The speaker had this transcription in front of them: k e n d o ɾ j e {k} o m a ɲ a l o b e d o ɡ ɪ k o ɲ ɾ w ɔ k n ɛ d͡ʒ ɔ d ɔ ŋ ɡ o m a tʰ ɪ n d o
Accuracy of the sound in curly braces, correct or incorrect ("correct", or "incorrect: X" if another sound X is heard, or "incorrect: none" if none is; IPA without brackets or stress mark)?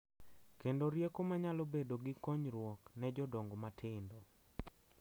correct